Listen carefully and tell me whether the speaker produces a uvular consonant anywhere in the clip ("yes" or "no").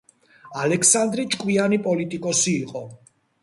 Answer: yes